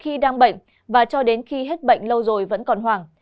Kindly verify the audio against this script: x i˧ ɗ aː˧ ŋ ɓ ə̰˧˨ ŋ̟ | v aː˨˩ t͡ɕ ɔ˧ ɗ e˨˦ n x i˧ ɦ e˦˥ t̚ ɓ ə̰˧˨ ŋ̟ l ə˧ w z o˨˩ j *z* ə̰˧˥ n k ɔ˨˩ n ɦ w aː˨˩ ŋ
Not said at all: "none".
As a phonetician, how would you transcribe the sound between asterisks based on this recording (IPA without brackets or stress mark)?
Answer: v